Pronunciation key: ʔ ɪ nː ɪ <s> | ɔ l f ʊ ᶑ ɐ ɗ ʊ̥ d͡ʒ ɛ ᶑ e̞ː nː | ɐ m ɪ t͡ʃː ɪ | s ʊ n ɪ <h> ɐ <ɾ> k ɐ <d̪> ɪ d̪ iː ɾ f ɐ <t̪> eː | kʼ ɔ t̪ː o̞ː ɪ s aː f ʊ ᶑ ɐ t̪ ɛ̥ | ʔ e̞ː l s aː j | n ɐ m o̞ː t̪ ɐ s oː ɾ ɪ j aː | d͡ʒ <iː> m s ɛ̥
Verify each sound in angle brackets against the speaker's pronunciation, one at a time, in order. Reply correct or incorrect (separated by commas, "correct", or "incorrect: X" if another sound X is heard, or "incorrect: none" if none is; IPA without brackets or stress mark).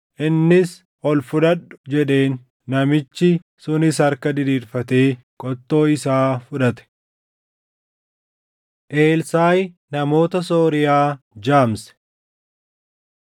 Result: correct, incorrect: s, correct, correct, correct, incorrect: aː